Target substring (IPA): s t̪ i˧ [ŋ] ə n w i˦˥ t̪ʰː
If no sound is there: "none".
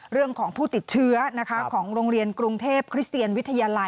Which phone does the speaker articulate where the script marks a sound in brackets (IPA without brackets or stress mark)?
none